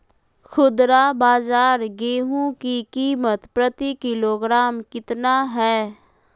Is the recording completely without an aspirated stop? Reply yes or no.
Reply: yes